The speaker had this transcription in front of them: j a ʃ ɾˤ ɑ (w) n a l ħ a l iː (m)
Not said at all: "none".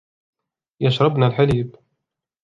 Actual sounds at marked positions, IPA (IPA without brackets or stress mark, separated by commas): b, b